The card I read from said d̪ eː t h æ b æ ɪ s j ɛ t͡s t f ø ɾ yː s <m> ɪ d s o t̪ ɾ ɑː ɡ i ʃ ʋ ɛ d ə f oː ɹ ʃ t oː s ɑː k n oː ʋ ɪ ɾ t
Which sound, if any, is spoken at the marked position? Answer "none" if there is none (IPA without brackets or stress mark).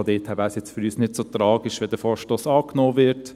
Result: n